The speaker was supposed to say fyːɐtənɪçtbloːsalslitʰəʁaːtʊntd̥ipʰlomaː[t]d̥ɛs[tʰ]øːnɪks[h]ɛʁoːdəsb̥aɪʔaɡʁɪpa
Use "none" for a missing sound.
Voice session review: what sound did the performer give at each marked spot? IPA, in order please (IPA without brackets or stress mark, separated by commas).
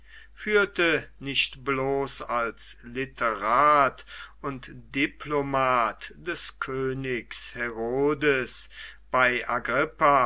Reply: t, kʰ, h